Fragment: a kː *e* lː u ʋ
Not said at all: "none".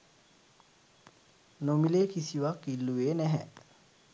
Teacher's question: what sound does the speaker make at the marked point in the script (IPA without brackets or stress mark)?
i